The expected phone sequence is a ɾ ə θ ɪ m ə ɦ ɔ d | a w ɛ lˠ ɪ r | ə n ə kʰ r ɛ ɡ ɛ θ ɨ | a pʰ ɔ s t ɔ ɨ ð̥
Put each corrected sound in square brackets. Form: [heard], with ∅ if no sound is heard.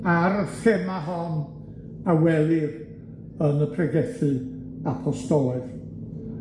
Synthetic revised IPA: a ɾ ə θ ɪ m [a] ɦ ɔ [n] | a w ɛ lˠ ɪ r | ə n ə [pʰ] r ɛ ɡ ɛ θ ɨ | a pʰ ɔ s t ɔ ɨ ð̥